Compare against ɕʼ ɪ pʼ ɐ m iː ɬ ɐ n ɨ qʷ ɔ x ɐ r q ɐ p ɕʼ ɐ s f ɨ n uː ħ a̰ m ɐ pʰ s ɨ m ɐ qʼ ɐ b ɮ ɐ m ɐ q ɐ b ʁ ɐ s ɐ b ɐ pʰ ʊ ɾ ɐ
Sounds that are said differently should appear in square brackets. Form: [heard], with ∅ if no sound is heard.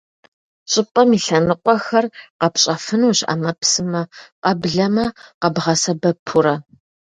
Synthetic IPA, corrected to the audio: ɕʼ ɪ pʼ ɐ m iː ɬ ɐ n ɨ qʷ ɔ x ɐ r q ɐ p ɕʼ ɐ [∅] f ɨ n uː [ɕ] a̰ m ɐ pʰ s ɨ m ɐ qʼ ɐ b ɮ ɐ m ɐ q ɐ b ʁ ɐ s ɐ b ɐ pʰ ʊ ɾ ɐ

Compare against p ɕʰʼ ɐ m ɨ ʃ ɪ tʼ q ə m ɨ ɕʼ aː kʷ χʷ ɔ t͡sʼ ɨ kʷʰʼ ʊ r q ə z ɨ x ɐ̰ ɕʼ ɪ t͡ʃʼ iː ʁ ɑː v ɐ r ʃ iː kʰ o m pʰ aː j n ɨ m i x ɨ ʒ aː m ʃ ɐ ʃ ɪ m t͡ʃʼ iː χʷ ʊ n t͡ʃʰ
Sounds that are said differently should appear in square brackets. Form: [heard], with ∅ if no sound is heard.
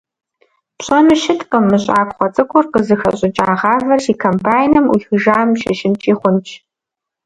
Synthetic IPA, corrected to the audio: p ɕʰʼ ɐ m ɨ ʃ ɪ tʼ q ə m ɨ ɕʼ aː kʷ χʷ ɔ t͡sʼ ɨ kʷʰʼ ʊ r q ə z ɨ x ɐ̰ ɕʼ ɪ t͡ʃʼ [aː] ʁ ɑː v ɐ r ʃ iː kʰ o m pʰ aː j n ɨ m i x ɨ ʒ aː m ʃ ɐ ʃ ɪ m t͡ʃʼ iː χʷ ʊ n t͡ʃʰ

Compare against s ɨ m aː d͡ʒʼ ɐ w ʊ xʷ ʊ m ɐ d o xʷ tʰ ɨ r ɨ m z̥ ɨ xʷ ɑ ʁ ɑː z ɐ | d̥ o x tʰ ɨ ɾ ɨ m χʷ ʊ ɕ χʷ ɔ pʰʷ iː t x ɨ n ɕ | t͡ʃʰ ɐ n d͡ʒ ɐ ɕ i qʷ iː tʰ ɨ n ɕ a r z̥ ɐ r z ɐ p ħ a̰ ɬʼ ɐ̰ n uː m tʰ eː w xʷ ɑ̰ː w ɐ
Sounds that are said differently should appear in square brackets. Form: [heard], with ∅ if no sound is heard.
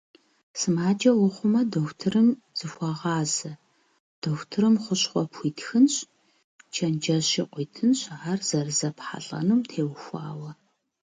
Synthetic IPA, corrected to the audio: s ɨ m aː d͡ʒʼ ɐ w ʊ [χʷ] ʊ m ɐ d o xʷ tʰ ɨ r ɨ m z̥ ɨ xʷ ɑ ʁ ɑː z ɐ | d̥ o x tʰ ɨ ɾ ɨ m χʷ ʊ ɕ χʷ ɔ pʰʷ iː t x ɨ n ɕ | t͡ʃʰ ɐ n d͡ʒ ɐ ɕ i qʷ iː tʰ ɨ n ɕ a r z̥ ɐ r z ɐ p ħ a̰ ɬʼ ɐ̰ n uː m tʰ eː w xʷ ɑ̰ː w ɐ

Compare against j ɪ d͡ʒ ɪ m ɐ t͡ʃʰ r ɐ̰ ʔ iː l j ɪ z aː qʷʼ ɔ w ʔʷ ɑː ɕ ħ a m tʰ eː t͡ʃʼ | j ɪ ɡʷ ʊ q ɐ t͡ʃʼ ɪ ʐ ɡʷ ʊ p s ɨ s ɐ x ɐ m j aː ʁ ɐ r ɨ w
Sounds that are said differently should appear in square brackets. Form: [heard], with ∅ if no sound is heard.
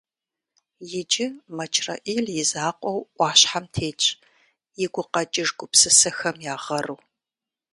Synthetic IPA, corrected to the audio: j ɪ d͡ʒ ɪ m ɐ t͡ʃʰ r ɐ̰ ʔ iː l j ɪ z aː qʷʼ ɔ w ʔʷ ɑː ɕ ħ a m tʰ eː t͡ʃʼ | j ɪ ɡʷ ʊ q ɐ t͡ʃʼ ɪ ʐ ɡʷ ʊ p s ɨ s ɐ x ɐ m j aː ʁ ɐ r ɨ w

